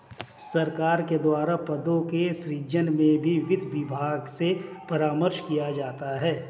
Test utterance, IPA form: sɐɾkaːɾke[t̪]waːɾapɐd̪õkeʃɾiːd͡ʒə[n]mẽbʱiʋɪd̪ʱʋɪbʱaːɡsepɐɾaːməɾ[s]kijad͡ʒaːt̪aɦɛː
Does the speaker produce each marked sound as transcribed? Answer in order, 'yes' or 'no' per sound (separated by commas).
no, yes, no